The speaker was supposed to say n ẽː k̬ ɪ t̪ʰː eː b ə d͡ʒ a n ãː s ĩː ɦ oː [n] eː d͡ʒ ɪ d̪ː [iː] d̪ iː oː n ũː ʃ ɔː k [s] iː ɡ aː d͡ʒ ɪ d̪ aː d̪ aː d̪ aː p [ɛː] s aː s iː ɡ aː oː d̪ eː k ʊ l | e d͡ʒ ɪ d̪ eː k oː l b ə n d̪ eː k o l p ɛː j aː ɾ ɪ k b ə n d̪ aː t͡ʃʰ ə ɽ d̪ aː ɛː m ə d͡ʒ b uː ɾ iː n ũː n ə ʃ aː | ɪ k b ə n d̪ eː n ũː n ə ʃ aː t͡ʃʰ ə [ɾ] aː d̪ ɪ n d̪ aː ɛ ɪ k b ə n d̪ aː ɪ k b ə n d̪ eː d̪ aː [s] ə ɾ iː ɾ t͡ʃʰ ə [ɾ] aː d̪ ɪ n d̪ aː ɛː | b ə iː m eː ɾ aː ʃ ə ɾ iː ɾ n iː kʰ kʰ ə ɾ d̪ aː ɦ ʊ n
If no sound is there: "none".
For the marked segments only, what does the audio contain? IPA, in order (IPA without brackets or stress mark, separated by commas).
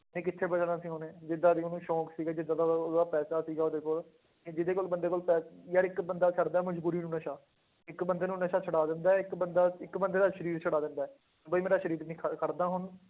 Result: n, aː, s, ɛː, ɽ, ʃ, ɽ